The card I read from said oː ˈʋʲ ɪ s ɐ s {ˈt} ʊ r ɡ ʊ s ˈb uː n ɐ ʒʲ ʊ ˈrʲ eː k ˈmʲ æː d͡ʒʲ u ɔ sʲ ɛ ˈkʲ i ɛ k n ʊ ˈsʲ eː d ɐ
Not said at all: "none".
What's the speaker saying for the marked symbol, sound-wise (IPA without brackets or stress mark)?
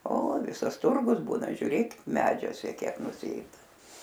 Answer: t